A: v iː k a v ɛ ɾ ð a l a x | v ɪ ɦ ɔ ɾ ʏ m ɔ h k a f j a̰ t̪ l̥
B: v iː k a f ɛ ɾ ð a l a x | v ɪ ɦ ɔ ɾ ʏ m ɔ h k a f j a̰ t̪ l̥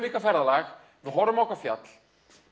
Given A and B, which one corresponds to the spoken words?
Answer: B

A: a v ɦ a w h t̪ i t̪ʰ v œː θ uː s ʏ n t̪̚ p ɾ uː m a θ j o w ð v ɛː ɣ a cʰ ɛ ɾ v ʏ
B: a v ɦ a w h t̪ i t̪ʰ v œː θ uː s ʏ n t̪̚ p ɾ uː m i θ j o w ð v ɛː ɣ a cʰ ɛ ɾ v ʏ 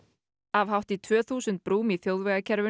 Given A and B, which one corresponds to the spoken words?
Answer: B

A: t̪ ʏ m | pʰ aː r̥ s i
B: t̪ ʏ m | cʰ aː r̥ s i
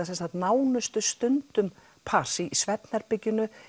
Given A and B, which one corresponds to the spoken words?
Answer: A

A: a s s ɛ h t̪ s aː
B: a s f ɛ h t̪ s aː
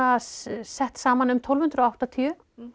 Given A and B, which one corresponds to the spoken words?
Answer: A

